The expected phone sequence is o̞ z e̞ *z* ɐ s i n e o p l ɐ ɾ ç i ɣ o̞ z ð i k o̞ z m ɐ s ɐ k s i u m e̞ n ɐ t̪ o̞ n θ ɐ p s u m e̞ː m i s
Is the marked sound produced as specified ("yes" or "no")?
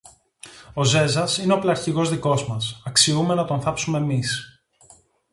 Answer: yes